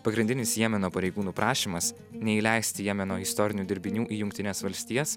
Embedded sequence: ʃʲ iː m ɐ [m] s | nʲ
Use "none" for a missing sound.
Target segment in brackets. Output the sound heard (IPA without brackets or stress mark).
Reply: none